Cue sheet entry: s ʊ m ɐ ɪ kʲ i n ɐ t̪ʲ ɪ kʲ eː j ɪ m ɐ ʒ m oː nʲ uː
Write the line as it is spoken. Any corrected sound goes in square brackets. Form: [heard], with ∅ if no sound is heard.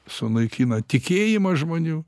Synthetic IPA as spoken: s ʊ [n] ɐ ɪ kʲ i n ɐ t̪ʲ ɪ kʲ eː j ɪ m ɐ ʒ m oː nʲ uː